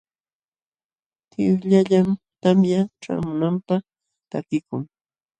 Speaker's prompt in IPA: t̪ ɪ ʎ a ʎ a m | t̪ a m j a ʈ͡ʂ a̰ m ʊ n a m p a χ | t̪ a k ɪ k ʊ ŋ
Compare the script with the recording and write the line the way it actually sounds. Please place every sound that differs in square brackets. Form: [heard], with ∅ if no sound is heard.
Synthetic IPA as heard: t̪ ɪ ʎ a ʎ a m | t̪ a m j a ʈ͡ʂ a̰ m ʊ n a m p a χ | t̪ a k ɪ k ʊ ŋ